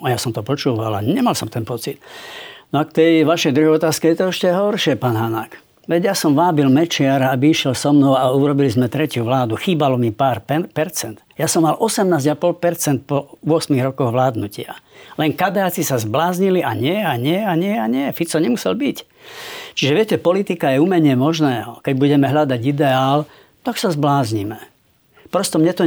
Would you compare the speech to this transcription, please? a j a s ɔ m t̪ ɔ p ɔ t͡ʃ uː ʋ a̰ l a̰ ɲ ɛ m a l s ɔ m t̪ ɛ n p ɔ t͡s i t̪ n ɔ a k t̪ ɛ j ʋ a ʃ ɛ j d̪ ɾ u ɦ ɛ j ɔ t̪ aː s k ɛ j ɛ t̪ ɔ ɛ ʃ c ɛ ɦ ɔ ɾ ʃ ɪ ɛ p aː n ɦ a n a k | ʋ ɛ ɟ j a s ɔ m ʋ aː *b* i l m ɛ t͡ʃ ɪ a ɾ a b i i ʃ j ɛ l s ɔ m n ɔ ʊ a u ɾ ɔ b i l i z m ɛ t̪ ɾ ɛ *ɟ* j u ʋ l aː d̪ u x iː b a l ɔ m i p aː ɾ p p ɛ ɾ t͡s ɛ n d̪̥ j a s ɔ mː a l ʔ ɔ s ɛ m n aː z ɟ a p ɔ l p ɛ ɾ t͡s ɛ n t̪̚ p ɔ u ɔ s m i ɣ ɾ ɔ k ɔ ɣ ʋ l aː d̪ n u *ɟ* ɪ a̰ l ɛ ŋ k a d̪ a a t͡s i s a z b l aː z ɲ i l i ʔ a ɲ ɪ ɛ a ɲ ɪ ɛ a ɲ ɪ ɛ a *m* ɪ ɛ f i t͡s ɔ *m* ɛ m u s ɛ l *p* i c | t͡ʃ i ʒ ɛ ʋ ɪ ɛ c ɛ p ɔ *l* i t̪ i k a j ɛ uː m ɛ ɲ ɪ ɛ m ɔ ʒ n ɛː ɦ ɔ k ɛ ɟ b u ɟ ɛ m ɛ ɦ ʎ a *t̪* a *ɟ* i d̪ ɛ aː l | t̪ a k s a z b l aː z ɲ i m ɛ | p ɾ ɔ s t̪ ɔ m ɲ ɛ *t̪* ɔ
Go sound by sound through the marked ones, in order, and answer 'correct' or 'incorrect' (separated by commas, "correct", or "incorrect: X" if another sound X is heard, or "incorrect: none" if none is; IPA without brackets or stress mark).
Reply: correct, incorrect: c, incorrect: c, incorrect: ɲ, incorrect: ɲ, incorrect: b, correct, incorrect: d̪, correct, correct